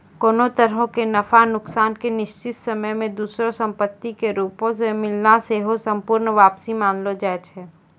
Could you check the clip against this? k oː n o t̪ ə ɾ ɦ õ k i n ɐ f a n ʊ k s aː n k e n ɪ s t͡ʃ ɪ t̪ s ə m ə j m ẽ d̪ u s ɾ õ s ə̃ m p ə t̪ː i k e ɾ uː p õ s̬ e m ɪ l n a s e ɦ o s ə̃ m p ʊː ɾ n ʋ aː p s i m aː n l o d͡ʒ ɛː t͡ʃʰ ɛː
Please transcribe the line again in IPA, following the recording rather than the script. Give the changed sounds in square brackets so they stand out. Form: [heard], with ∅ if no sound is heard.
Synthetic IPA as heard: k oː n o t̪ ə ɾ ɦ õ k [e] n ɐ f a n ʊ k s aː n k e n ɪ [ʃ] t͡ʃ ɪ t̪ s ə m ə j m ẽ d̪ [uː] s ɾ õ s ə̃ m p ə t̪ː i k e ɾ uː p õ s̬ e m ɪ l n a s e ɦ o s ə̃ m p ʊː ɾ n ʋ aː p s i m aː n l o d͡ʒ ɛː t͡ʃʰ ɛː